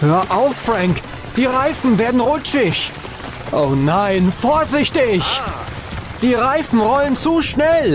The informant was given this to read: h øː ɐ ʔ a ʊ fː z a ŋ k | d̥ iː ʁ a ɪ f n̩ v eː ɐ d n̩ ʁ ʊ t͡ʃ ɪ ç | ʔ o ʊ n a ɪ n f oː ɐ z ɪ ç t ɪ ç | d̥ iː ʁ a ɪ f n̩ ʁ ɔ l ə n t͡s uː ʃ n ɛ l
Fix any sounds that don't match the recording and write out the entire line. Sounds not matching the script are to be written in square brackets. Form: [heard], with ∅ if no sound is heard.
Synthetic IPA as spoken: h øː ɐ ʔ a ʊ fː [ʁ] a ŋ k | d̥ iː ʁ a ɪ f n̩ v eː ɐ d n̩ ʁ ʊ t͡ʃ ɪ ç | ʔ o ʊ n a ɪ n f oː ɐ z ɪ ç t ɪ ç | d̥ iː ʁ a ɪ f n̩ ʁ ɔ l ə n t͡s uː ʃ n ɛ l